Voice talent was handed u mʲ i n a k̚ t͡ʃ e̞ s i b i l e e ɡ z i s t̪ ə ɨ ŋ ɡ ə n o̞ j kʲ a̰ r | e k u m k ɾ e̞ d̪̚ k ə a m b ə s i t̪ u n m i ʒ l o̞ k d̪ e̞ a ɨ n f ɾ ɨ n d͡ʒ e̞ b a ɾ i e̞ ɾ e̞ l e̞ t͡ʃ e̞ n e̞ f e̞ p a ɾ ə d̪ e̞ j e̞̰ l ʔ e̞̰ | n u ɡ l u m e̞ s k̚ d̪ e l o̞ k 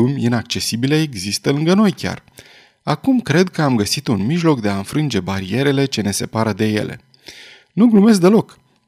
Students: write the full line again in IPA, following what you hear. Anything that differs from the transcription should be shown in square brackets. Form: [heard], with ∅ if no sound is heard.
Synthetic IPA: u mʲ i n a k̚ t͡ʃ e̞ s i b i l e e ɡ z i s t̪ ə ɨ ŋ ɡ ə n o̞ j kʲ a̰ r | [a] k u m k ɾ e̞ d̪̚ k ə a m [ɡ] ə s i t̪ u n m i ʒ l o̞ k d̪ e̞ a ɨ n f ɾ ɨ n d͡ʒ e̞ b a ɾ i e̞ ɾ e̞ l e̞ t͡ʃ e̞ n e̞ [s] e̞ p a ɾ ə d̪ e̞ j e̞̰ l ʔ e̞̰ | n u ɡ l u m e̞ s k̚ d̪ e l o̞ k